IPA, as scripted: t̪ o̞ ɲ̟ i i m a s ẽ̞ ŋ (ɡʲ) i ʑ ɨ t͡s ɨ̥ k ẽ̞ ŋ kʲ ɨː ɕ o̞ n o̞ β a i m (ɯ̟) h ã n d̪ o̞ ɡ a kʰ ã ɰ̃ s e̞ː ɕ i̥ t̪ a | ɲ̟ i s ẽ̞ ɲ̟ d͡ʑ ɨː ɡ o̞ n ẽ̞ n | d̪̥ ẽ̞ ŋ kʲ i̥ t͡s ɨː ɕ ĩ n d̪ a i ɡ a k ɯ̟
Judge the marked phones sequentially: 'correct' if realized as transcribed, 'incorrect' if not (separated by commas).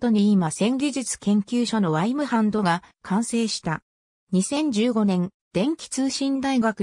correct, correct